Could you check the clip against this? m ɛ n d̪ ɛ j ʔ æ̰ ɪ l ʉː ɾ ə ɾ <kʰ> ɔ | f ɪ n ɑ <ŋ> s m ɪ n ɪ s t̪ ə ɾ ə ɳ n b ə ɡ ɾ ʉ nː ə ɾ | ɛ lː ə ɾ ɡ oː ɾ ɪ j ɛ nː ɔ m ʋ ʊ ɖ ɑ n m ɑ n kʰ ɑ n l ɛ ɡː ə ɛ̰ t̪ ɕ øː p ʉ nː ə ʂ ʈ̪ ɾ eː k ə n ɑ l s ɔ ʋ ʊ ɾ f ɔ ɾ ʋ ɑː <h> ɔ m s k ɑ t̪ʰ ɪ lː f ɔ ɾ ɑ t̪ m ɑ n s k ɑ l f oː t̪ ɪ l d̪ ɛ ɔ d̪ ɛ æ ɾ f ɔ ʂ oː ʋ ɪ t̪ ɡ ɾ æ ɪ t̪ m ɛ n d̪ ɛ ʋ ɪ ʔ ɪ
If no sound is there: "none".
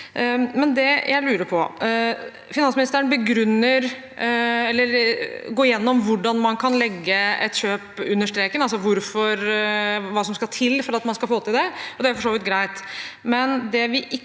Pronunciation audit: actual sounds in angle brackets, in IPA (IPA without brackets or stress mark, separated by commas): pʰ, n, s